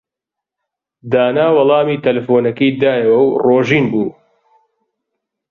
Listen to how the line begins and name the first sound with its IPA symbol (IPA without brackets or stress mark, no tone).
d̪